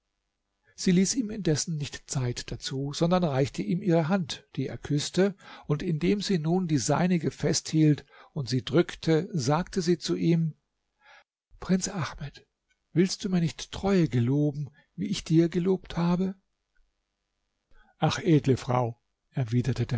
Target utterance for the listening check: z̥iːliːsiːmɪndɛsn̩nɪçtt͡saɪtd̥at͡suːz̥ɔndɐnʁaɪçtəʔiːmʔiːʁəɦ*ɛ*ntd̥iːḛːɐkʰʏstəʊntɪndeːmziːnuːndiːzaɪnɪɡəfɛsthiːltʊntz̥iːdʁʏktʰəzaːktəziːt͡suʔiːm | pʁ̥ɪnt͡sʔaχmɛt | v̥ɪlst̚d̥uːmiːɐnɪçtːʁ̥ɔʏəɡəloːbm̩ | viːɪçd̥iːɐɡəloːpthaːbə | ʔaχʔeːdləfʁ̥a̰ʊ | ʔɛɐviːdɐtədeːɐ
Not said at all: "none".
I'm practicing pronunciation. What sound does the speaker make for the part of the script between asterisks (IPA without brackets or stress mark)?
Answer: a